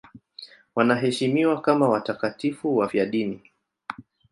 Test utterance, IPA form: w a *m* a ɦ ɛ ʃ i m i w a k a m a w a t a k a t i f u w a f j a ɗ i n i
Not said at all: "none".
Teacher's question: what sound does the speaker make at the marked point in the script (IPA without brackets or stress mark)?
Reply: n